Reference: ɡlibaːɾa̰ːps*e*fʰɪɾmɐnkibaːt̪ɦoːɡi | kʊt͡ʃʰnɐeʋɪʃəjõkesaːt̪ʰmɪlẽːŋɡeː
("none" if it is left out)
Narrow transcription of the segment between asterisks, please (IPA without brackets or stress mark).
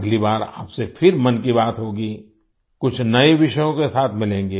e